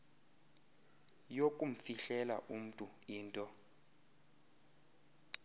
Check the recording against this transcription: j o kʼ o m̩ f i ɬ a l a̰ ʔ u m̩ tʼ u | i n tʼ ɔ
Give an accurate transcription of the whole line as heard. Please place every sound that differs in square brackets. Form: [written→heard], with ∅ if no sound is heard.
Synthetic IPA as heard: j o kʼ [o→u] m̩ f i ɬ [a→ɛ] l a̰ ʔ u m̩ tʼ u | [i→iː] n tʼ ɔ